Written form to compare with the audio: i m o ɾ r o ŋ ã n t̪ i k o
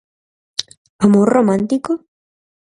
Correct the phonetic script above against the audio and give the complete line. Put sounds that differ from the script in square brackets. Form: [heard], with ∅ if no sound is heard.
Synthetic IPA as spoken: [a] m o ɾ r o [m] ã n t̪ i k o